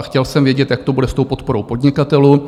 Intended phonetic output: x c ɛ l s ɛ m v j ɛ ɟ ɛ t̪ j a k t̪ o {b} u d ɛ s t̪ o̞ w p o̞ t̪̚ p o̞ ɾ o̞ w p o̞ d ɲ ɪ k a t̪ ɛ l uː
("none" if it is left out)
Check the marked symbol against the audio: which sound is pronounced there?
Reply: b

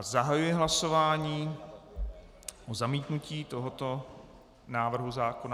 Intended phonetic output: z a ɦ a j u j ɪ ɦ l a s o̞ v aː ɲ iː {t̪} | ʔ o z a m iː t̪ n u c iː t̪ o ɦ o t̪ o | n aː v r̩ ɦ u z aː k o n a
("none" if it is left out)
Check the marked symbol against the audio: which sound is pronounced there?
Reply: none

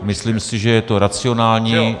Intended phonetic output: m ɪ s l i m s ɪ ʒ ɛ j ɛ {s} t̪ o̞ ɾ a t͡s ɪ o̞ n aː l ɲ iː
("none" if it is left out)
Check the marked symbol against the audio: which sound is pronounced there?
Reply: none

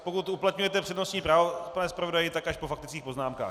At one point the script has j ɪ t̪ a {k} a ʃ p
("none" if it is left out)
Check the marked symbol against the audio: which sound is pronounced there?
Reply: k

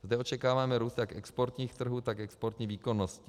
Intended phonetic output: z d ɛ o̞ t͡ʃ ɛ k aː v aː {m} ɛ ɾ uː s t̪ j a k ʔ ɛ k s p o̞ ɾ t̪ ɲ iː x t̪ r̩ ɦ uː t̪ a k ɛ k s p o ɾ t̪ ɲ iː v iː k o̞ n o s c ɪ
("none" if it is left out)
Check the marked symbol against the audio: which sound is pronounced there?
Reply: m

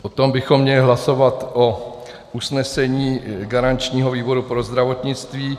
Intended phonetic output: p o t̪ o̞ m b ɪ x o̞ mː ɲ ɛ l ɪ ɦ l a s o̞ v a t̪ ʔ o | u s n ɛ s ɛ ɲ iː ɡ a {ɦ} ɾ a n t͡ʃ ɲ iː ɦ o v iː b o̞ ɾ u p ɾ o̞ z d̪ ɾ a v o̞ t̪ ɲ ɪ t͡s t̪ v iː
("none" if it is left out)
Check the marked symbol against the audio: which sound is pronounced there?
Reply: none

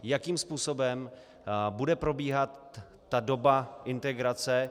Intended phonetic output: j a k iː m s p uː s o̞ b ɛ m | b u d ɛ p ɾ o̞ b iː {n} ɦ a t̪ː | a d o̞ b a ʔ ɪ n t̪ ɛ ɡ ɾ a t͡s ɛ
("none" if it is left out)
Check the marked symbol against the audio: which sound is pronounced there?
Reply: none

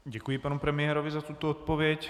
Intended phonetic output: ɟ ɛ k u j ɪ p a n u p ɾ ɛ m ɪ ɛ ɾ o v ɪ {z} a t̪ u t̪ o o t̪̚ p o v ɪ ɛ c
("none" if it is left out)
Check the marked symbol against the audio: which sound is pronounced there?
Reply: z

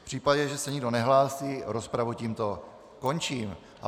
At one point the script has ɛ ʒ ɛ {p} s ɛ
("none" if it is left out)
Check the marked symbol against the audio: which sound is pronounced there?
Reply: none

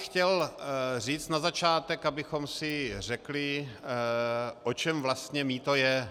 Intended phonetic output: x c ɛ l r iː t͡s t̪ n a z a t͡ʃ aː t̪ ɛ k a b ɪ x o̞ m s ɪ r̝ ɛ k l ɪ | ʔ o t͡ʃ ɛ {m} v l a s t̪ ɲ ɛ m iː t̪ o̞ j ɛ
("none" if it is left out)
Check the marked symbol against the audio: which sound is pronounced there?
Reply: m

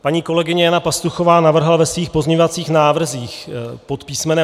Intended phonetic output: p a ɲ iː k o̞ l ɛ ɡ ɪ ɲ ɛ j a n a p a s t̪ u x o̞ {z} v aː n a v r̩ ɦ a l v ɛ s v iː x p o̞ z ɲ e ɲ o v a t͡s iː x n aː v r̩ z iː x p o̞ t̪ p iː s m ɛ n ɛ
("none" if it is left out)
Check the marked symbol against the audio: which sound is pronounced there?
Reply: none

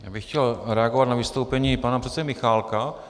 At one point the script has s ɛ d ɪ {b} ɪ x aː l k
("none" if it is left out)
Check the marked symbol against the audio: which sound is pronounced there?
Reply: m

